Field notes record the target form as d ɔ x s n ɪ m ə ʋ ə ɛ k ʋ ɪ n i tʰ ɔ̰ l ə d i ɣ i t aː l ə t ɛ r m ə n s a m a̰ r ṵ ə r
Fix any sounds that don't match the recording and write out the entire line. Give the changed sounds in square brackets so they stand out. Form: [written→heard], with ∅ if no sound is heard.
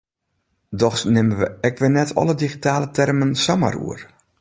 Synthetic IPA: d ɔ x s n ɪ m ə ʋ ə ɛ k ʋ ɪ n [i→ɛ] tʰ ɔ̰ l ə d i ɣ i t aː l ə t ɛ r m ə n s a m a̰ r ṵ ə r